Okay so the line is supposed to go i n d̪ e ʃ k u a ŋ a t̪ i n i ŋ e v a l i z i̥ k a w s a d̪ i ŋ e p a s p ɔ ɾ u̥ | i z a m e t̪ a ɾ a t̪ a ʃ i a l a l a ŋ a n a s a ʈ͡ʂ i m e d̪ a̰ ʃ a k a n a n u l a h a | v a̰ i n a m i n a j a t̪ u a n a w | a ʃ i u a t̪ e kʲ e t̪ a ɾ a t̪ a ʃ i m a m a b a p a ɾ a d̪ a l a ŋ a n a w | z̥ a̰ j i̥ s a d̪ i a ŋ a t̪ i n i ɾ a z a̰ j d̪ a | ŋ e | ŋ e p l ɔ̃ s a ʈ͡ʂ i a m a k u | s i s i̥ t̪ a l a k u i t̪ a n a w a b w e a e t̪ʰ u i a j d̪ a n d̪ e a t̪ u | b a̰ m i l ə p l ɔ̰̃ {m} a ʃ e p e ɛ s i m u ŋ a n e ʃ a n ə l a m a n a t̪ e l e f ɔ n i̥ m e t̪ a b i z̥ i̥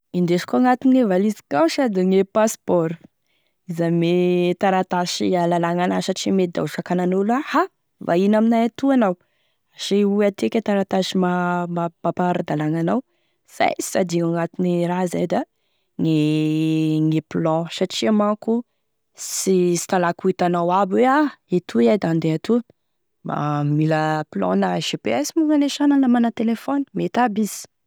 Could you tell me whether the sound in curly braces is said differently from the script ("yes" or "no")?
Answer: yes